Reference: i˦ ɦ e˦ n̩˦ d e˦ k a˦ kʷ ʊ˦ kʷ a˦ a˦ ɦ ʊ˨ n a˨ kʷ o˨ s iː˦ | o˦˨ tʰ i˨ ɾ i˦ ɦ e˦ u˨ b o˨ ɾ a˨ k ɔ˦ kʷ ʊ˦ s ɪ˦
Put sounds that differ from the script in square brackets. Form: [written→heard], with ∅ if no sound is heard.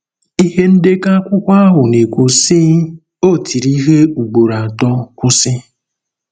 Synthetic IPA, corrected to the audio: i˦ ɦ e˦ n̩˦ d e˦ k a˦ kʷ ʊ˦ kʷ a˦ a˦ ɦ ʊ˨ n [a˨→e˨] kʷ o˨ s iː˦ | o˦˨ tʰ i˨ ɾ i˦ ɦ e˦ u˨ [b→ɡ͡b] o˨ ɾ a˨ [k→t] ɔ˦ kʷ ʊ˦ s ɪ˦